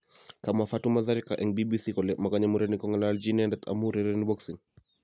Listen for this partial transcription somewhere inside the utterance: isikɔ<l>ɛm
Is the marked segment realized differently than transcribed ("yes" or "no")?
no